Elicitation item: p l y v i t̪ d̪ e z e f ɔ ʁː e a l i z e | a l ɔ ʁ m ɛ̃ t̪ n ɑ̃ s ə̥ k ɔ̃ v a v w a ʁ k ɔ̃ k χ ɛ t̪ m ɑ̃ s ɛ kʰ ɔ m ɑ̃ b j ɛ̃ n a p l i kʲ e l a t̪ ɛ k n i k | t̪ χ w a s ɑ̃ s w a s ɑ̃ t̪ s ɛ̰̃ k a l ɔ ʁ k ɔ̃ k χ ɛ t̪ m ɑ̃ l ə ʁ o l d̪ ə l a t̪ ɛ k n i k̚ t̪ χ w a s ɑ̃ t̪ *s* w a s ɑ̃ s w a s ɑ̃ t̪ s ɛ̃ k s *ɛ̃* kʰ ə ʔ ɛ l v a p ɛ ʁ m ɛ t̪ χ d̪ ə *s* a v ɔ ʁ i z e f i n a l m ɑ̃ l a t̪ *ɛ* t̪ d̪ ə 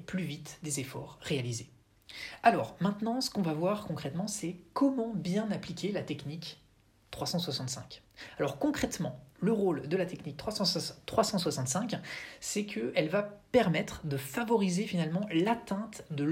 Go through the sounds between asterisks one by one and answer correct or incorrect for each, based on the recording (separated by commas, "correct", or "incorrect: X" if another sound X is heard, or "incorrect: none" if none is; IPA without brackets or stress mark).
incorrect: χ, incorrect: ɛ, incorrect: f, incorrect: ɛ̃